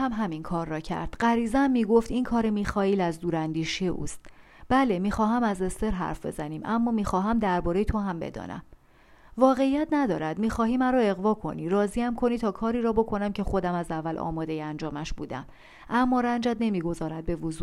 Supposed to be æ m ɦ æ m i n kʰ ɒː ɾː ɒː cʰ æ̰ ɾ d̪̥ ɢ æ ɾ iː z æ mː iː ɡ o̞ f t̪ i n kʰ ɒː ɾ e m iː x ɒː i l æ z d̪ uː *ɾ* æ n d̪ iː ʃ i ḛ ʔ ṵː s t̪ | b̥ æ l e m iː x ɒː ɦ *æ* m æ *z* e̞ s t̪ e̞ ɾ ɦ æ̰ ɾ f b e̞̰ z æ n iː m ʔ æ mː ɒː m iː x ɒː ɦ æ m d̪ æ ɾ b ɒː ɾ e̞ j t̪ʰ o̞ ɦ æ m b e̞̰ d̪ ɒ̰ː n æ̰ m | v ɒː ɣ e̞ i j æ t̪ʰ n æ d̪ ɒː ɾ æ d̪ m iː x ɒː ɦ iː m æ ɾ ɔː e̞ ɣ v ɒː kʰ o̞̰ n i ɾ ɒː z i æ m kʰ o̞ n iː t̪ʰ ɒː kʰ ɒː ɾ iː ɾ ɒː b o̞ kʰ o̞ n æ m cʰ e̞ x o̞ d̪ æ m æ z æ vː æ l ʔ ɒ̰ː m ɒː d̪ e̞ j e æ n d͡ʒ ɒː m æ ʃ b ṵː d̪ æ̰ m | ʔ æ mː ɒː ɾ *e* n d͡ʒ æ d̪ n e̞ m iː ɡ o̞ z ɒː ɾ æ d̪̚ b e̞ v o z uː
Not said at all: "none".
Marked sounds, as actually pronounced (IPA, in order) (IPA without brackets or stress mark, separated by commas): ɾ, æ, z, æ